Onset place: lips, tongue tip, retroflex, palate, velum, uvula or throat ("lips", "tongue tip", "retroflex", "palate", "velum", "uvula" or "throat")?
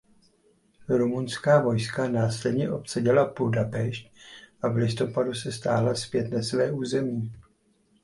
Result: tongue tip